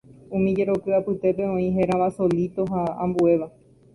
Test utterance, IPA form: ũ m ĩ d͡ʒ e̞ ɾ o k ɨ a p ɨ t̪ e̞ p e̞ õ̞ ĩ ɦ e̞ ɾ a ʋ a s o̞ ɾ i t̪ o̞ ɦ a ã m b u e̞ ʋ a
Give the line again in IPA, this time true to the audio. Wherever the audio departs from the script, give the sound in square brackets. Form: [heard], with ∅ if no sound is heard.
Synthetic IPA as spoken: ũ m ĩ d͡ʒ e̞ ɾ o k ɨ a p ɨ t̪ e̞ p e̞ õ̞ ĩ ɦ e̞ ɾ a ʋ a s o̞ [l] i t̪ o̞ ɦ a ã m b u e̞ ʋ a